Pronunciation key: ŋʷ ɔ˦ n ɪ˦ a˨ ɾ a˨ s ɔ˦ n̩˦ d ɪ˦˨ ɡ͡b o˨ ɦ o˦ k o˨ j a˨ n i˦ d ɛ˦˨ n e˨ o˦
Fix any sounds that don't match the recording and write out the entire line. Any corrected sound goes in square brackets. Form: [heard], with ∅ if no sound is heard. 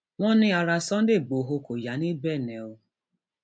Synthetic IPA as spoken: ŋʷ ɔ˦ n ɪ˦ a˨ ɾ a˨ s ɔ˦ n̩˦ d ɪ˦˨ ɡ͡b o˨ ɦ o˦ k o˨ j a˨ n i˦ [b] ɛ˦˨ n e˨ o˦